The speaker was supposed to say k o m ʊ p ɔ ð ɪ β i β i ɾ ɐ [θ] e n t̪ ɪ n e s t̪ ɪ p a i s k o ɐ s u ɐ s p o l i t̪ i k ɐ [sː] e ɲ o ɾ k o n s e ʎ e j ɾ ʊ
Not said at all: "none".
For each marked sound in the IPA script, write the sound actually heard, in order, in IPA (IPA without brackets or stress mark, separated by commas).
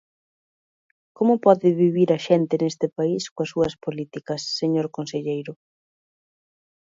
ʃ, sː